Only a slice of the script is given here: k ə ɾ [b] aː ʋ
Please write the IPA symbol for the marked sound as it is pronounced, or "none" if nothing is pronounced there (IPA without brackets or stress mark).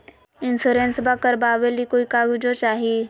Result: b